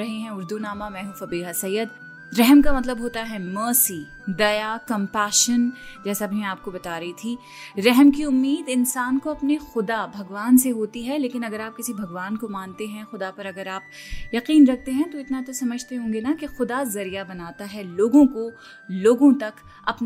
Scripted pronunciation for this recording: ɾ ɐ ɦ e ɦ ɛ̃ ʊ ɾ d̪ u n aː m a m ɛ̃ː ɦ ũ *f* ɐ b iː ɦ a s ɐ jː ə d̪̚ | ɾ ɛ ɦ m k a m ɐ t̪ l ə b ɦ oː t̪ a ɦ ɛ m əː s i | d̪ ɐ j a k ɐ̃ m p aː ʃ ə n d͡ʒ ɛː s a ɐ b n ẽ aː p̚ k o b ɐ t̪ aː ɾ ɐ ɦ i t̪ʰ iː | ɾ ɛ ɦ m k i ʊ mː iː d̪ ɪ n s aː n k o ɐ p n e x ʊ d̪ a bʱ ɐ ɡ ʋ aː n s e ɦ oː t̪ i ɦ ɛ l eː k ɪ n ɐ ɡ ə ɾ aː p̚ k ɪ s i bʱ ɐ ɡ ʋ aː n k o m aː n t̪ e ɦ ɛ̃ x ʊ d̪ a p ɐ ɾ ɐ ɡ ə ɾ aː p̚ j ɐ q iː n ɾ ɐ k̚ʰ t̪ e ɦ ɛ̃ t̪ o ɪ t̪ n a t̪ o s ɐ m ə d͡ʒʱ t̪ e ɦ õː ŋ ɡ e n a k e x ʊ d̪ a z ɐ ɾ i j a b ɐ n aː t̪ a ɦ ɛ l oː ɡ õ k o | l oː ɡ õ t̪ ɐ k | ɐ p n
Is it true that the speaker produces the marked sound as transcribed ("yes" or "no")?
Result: yes